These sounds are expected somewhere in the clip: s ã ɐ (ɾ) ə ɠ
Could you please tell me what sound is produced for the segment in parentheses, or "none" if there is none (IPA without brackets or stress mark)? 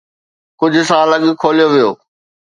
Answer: l